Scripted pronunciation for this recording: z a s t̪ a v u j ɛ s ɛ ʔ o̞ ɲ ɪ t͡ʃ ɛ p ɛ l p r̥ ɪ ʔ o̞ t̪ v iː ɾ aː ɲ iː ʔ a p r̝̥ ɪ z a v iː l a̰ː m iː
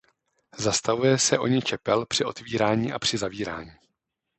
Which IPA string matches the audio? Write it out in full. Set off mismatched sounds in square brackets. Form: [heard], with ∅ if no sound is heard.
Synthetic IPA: z a s t̪ a v u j ɛ s ɛ ʔ o̞ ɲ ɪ t͡ʃ ɛ p ɛ l p r̥ ɪ ʔ o̞ t̪ v iː ɾ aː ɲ iː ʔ a p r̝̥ ɪ z a v iː [ɾ] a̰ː [ɲ] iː

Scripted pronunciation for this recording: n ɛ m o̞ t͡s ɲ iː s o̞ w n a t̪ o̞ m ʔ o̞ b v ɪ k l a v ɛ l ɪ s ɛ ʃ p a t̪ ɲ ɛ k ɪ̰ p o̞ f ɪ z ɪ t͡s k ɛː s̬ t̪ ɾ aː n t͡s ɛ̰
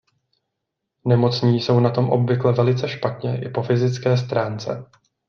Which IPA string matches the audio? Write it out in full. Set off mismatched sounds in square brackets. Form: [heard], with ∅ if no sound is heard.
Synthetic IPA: n ɛ m o̞ t͡s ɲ iː s o̞ w n a t̪ o̞ m ʔ o̞ b v ɪ k l [ɛ] v ɛ l ɪ [t͡s] ɛ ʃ p a t̪ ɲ ɛ [ʔ] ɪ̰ p o̞ f ɪ z ɪ t͡s k ɛː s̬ t̪ ɾ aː n t͡s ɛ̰

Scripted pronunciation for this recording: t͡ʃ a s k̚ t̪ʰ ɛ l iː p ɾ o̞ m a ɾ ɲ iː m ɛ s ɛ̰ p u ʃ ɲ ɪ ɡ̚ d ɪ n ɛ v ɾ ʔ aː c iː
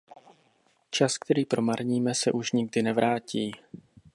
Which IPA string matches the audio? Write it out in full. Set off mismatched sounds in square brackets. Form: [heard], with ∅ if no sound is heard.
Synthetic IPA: t͡ʃ a s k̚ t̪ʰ ɛ [ɾ] iː p ɾ o̞ m a ɾ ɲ iː m ɛ s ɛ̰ [ʔ] u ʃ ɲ ɪ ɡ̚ d ɪ n ɛ v ɾ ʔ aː c iː

